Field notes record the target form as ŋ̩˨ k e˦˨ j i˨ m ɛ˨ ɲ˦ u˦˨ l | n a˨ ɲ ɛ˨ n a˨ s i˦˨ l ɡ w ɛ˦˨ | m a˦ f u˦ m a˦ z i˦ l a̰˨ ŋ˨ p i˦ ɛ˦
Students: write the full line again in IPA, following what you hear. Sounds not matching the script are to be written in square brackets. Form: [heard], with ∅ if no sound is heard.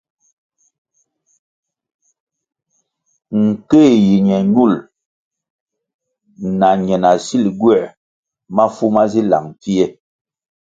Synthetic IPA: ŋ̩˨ k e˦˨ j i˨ [ɲ] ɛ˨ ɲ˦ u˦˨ l | n a˨ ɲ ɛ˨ n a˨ s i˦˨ l ɡ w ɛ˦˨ | m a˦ f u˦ m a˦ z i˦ l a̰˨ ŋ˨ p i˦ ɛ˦